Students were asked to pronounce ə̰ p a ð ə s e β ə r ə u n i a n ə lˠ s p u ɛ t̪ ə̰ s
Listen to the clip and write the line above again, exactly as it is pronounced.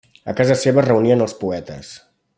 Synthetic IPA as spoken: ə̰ k a z ə s e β ə r ə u n i ə n ə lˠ s p u ɛ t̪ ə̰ s